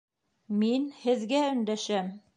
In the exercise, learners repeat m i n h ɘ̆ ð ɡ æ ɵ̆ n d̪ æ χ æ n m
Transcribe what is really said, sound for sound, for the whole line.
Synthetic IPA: m i n h ɘ̆ ð ɡ æ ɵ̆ n d̪ æ ʃ æ m